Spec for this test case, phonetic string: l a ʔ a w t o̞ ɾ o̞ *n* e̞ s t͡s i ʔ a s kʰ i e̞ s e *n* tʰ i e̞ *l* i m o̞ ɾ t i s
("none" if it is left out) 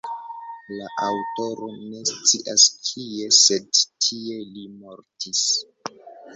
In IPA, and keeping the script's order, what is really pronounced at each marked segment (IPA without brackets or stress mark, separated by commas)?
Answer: n, d, l